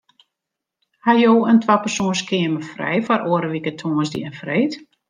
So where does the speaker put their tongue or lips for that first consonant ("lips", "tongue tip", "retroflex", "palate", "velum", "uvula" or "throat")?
throat